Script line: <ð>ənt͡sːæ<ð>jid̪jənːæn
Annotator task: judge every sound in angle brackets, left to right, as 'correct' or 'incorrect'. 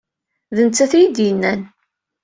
correct, incorrect: θ

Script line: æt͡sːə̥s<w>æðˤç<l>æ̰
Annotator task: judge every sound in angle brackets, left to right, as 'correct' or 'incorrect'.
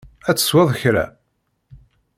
correct, incorrect: ɾ

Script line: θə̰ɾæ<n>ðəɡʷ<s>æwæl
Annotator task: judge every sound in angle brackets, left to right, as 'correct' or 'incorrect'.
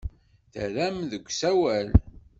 incorrect: m, correct

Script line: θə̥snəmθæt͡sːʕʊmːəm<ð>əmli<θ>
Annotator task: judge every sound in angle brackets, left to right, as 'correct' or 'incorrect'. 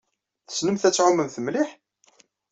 incorrect: θ, incorrect: ħ

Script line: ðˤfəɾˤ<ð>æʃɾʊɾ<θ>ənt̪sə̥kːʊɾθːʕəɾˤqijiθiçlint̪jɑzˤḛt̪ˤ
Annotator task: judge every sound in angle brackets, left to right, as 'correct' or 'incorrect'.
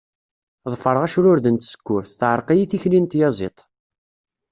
incorrect: ʁ, incorrect: ð

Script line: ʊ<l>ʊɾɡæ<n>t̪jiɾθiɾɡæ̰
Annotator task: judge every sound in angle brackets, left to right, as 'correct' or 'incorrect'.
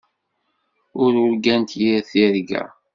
incorrect: ɾ, correct

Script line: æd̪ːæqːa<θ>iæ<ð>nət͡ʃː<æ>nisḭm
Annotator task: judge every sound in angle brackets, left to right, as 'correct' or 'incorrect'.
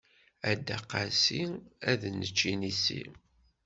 incorrect: s, correct, incorrect: i

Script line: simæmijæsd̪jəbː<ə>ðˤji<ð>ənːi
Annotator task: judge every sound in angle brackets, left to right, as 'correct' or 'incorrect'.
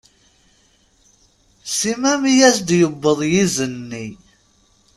correct, incorrect: z

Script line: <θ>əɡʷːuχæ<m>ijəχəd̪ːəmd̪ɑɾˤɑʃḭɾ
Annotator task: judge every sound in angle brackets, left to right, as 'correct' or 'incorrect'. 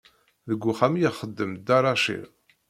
incorrect: ð, correct

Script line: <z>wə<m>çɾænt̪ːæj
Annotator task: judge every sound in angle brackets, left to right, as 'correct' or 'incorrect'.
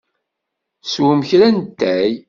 incorrect: s, correct

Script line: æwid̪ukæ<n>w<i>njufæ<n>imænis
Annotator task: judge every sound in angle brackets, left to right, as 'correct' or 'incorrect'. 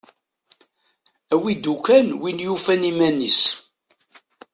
correct, correct, correct

